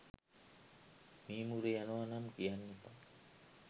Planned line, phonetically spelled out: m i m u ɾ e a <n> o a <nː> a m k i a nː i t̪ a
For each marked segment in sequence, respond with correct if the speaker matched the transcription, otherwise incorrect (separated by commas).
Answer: correct, incorrect